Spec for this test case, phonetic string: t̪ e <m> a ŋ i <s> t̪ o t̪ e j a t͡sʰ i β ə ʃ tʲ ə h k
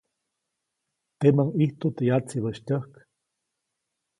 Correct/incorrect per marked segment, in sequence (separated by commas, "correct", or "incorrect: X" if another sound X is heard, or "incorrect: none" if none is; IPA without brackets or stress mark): correct, incorrect: h